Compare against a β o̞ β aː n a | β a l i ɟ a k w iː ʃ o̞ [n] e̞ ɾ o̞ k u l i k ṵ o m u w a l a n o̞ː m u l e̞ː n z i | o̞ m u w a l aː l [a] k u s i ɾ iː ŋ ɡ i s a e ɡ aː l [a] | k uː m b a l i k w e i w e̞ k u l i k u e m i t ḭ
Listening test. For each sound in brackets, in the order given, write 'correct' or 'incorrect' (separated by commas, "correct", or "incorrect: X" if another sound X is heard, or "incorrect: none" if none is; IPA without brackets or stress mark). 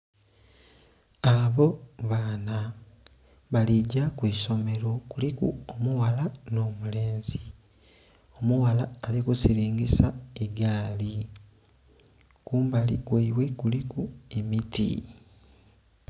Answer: incorrect: m, incorrect: i, incorrect: i